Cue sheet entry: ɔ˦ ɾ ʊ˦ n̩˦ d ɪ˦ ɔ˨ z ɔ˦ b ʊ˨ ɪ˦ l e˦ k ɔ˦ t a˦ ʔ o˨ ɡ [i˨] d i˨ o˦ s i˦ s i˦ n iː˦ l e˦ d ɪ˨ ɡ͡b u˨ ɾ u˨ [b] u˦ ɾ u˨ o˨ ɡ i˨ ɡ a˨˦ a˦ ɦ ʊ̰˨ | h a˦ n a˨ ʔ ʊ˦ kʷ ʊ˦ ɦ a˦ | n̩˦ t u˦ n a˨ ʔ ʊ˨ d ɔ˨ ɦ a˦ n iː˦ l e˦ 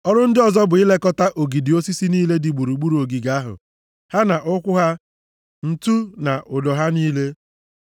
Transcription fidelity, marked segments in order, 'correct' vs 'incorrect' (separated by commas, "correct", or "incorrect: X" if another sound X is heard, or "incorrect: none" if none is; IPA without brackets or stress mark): correct, incorrect: ɡ͡b